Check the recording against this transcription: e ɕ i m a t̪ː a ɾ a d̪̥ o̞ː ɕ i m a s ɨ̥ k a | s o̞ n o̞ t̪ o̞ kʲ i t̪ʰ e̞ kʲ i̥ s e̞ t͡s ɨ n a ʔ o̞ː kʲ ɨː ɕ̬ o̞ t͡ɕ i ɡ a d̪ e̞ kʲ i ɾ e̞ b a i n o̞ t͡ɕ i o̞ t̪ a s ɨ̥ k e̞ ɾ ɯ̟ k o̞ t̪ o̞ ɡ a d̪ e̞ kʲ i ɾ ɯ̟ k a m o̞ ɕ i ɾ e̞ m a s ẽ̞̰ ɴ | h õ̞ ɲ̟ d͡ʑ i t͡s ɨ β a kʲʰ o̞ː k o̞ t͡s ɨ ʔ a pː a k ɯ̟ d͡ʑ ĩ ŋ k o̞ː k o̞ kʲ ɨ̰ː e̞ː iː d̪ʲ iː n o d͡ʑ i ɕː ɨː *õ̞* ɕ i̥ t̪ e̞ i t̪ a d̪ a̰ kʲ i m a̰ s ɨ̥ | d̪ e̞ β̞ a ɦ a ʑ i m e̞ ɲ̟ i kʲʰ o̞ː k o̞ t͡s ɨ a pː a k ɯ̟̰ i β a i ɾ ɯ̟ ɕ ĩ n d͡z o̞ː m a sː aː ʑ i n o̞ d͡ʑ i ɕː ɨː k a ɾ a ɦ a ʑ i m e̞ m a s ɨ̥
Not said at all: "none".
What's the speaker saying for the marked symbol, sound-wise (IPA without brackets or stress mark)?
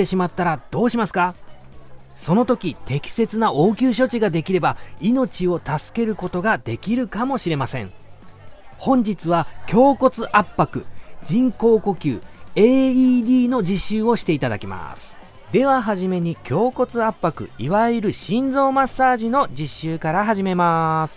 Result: o̞